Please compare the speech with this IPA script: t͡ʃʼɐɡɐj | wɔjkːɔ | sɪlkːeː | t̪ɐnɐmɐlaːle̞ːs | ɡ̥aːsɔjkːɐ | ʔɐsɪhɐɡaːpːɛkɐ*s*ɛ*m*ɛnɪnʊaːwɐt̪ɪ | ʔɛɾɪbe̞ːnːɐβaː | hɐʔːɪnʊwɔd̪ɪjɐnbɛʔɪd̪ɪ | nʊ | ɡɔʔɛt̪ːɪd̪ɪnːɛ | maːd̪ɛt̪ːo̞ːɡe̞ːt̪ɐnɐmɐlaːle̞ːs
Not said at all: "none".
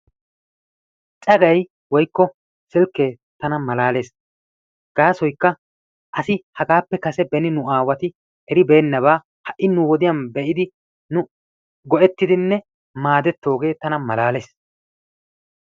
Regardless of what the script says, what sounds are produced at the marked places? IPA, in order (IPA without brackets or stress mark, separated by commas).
s, b